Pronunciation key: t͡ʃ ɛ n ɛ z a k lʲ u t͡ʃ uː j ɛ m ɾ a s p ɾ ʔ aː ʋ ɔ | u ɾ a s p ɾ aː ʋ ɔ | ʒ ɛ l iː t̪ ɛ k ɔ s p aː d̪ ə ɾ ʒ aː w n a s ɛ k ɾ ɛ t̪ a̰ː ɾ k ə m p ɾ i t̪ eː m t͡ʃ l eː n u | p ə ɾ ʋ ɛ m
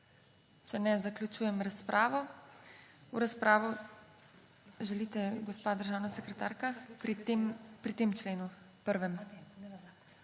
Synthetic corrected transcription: t͡ʃ ɛ n ɛ z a k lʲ u t͡ʃ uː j ɛ m ɾ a s p ɾ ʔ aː ʋ ɔ | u ɾ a s p ɾ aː ʋ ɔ | ʒ ɛ l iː t̪ ɛ ɡ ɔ s p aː d̪ ə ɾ ʒ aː w n a s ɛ k ɾ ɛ t̪ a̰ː ɾ k a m p ɾ i t̪ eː m t͡ʃ l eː n u | p ə ɾ ʋ ɛ m

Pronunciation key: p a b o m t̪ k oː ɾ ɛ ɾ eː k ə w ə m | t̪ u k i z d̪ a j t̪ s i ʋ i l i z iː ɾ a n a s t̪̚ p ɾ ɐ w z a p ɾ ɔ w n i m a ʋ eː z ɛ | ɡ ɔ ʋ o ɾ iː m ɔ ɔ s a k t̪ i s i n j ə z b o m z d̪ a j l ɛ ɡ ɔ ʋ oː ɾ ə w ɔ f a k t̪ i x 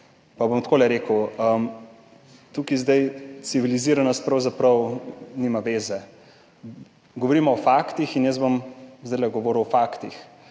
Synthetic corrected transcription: p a b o m t̪ k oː l ɛ ɾ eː k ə w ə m | t̪ u k i z d̪ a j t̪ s i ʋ i l i z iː ɾ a n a s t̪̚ p ɾ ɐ w z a p ɾ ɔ w n i m a ʋ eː z ɛ | ɡ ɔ ʋ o ɾ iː m ɔ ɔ f a k t̪ i x i n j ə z b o m z d̪ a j l ɛ ɡ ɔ ʋ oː ɾ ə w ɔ f a k t̪ i x

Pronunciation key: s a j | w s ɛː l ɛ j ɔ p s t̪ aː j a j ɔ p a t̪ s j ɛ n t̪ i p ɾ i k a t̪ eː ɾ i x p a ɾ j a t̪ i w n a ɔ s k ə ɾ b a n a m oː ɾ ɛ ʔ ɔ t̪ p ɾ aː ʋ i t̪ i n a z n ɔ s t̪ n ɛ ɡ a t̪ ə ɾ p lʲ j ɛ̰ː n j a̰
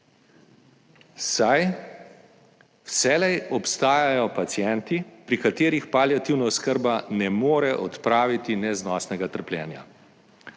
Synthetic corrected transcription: s a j | w s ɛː l ɛ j ɔ p s t̪ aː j a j ɔ p a t̪ s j ɛ n t̪ i p ɾ i k a t̪ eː ɾ i x p a l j a t̪ i w n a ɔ s k ə ɾ b a n ɛ m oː ɾ ɛ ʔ ɔ t̪ p ɾ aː ʋ i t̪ i n ɛ z n ɔ s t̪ n ɛ ɡ a t̪ ə ɾ p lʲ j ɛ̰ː n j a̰

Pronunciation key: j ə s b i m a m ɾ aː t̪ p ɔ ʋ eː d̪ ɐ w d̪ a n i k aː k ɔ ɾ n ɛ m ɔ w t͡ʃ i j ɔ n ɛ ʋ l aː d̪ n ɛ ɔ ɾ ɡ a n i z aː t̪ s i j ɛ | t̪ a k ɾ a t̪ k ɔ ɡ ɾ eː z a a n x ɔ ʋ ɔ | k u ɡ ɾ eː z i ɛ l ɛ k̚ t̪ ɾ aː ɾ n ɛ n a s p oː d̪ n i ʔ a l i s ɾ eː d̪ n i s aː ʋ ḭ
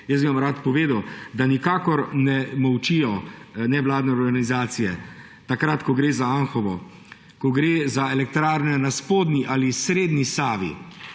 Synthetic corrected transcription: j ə s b i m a m ɾ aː t̪ p ɔ ʋ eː d̪ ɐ w d̪ a n i k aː k ɔ ɾ n ɛ m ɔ w t͡ʃ i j ɔ n ɛ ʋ l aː d̪ n ɛ ɔ ɾ ɡ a n i z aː t̪ s i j ɛ | t̪ a k ɾ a t̪ k ɔ ɡ ɾ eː z a a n x ɔ ʋ ɔ | k ɔ ɡ ɾ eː z a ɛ l ɛ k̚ t̪ ɾ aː ɾ n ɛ n a s p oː d̪ n i ʔ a l i s ɾ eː d̪ n i s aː ʋ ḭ

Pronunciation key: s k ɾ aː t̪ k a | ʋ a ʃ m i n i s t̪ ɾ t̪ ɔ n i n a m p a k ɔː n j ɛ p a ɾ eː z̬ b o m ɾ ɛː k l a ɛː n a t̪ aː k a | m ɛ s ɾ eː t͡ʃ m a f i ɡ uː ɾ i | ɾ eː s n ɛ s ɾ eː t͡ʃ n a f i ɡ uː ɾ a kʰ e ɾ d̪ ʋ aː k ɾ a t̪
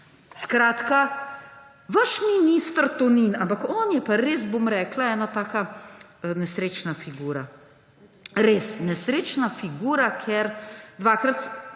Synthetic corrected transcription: s k ɾ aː t̪ k a | ʋ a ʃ m i n i s t̪ ɾ t̪ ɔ n i n a m p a k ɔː n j ɛ p a ɾ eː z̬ b o m ɾ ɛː k l a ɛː n a t̪ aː k a | n ɛ s ɾ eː t͡ʃ n a f i ɡ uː ɾ a | ɾ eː s n ɛ s ɾ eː t͡ʃ n a f i ɡ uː ɾ a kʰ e ɾ d̪ ʋ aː k ɾ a t̪

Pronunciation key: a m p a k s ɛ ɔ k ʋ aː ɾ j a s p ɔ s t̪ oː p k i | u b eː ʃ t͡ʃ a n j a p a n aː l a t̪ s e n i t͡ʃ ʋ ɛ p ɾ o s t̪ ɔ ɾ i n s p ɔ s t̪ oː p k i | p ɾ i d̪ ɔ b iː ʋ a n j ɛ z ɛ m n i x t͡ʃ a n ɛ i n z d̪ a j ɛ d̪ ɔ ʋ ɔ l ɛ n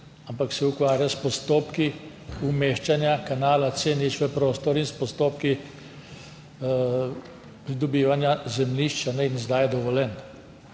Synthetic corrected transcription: a m p a k s ɛ u k ʋ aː ɾ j a s p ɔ s t̪ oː p k i | u m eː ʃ t͡ʃ a n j a k a n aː l a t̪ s e n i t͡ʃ ʋ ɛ p ɾ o s t̪ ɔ ɾ i n s p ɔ s t̪ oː p k i | p ɾ i d̪ ɔ b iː ʋ a n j a z ɛ m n i ʃ t͡ʃ a n ɛ i n z d̪ a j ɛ d̪ ɔ ʋ ɔ l ɛ n

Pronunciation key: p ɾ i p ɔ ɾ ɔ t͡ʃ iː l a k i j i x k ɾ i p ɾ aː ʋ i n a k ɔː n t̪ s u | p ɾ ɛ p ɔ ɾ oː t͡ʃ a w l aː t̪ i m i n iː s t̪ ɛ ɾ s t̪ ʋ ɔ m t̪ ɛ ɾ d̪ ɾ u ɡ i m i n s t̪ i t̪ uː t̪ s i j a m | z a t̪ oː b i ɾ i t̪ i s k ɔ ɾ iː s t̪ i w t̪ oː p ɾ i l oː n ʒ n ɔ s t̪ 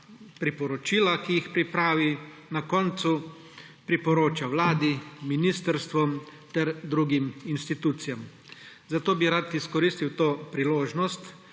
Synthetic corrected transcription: p ɾ i p ɔ ɾ ɔ t͡ʃ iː l a k i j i x p ɾ i p ɾ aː ʋ i n a k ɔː n t̪ s u | p ɾ i p ɔ ɾ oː t͡ʃ a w l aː d̪ i m i n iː s t̪ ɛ ɾ s t̪ ʋ ɔ m t̪ ɛ ɾ d̪ ɾ u ɡ i m i n s t̪ i t̪ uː t̪ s i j a m | z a t̪ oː b i ɾ a t̪ i s k ɔ ɾ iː s t̪ i w t̪ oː p ɾ i l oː ʒ n ɔ s t̪

